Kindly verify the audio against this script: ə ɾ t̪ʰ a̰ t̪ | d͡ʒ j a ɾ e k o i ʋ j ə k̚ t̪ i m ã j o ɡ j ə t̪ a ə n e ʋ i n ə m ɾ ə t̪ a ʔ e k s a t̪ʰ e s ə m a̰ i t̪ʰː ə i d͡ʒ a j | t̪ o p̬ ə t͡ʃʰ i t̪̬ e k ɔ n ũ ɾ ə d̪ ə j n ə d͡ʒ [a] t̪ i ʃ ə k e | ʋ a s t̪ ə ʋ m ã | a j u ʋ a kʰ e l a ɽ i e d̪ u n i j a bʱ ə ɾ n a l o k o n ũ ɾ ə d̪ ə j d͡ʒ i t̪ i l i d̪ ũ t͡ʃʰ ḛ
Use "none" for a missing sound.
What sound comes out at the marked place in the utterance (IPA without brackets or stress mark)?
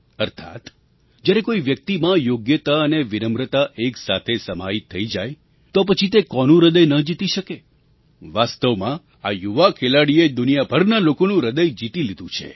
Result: i